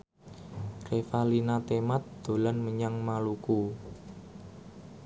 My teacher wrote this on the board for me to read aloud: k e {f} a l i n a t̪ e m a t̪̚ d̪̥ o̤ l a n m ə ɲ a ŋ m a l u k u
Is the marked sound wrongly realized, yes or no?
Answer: no